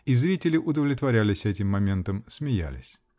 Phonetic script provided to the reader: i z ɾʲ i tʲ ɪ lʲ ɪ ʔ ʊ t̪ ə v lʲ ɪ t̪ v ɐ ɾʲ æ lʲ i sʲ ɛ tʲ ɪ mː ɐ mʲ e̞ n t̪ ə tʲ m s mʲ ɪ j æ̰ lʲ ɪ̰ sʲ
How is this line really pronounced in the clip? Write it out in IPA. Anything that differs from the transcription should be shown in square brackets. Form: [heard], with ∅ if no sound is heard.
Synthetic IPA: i z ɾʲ i tʲ ɪ lʲ ɪ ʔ ʊ [d̪] ə v lʲ ɪ t̪ v ɐ ɾʲ æ lʲ [ɪ] sʲ ɛ tʲ ɪ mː ɐ mʲ e̞ n t̪ ə [∅] m s mʲ ɪ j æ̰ lʲ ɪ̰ sʲ

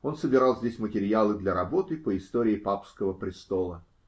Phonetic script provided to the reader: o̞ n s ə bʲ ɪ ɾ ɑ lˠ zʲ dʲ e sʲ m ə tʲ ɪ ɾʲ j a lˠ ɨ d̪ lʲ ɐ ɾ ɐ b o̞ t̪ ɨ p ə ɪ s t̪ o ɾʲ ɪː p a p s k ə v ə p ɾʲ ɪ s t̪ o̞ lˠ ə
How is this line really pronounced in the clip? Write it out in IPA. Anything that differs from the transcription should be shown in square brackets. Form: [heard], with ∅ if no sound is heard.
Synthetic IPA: o̞ n s ə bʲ ɪ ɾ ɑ lˠ zʲ dʲ e sʲ m ə tʲ ɪ ɾʲ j a lˠ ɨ d̪ lʲ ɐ ɾ ɐ b o̞ t̪ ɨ p ə ɪ s t̪ o ɾʲ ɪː p a p s k ə v ə p ɾʲ ɪ s t̪ o̞ lˠ ə

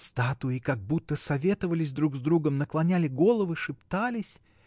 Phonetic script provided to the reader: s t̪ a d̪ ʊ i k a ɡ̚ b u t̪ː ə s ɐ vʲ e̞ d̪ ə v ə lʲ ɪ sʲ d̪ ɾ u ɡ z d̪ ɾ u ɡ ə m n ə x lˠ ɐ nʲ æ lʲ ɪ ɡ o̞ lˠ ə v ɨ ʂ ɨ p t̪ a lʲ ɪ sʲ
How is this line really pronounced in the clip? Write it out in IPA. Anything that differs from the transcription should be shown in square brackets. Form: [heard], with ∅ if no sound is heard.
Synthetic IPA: s t̪ a [t̪] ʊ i k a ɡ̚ b u t̪ː ə s ɐ vʲ e̞ [t̪] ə v ə lʲ ɪ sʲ d̪ ɾ u ɡ z d̪ ɾ u ɡ ə m n ə [k] lˠ ɐ nʲ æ lʲ ɪ ɡ o̞ lˠ ə v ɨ ʂ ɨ p t̪ a lʲ ɪ sʲ

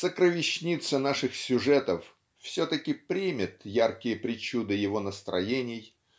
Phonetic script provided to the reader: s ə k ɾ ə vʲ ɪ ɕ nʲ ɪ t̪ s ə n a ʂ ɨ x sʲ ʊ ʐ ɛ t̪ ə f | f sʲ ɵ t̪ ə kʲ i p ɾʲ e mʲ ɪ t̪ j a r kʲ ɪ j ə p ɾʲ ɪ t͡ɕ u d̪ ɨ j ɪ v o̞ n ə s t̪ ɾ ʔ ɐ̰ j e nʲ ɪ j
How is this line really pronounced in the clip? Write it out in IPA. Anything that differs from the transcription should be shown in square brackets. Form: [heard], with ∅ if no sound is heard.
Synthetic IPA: s ə k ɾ ə vʲ ɪ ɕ nʲ [i] t̪ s ə n a ʂ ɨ x sʲ ʊ ʐ ɛ t̪ ə f | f sʲ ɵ t̪ ə kʲ [ɪ] p ɾʲ [i] mʲ ɪ t̪ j a r kʲ ɪ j ə p ɾʲ ɪ t͡ɕ u d̪ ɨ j ɪ v o̞ n ə s t̪ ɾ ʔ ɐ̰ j e nʲ ɪ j

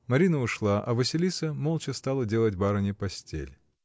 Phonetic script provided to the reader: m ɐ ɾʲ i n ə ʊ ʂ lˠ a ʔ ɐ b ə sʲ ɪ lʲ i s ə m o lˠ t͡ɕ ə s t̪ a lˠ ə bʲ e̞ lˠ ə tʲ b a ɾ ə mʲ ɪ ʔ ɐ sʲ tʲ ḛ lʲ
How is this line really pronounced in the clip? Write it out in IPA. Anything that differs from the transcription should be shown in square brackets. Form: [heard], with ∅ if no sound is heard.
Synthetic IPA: m ɐ ɾʲ i n ə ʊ ʂ lˠ a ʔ ɐ [v] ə sʲ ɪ lʲ i s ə m o lˠ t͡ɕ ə s t̪ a lˠ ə [dʲ] e̞ lˠ ə tʲ b a ɾ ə [nʲ] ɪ [p] ɐ sʲ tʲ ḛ lʲ

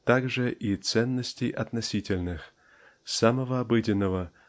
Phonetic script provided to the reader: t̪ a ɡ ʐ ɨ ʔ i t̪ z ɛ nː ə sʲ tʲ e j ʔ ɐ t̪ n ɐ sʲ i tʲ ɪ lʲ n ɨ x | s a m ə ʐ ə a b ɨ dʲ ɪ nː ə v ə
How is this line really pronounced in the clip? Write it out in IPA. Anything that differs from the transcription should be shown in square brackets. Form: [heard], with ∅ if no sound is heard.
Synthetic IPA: t̪ a ɡ ʐ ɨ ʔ i t̪ [s] ɛ nː ə sʲ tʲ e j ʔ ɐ t̪ n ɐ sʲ i tʲ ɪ lʲ n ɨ x | s a m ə [v] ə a b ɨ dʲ ɪ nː ə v ə

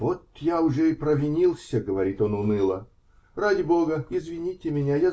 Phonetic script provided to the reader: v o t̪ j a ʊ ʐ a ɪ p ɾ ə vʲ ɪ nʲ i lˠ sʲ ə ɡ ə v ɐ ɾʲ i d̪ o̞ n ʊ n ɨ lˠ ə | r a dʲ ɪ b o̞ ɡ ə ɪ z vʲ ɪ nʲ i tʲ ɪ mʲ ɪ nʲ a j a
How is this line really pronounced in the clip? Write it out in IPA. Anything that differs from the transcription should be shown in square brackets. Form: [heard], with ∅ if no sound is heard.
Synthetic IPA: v o t̪ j a ʊ ʐ [ɛ] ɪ p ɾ ə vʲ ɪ nʲ i lˠ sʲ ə ɡ ə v ɐ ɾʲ i [t̪] o̞ n ʊ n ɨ lˠ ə | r a dʲ ɪ b o̞ ɡ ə ɪ z vʲ ɪ nʲ i tʲ ɪ mʲ ɪ nʲ a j a

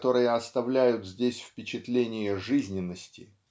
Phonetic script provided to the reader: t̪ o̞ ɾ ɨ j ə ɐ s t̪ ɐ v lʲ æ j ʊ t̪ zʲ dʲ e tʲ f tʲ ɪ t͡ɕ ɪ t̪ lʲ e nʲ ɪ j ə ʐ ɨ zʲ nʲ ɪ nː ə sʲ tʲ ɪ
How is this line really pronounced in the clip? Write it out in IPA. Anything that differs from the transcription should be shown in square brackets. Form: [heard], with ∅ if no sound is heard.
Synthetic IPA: t̪ o̞ ɾ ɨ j ə ɐ s t̪ ɐ v lʲ æ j ʊ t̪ zʲ dʲ e [sʲ] f [pʲ] ɪ t͡ɕ ɪ t̪ lʲ e nʲ ɪ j ə ʐ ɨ zʲ nʲ ɪ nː ə sʲ tʲ ɪ

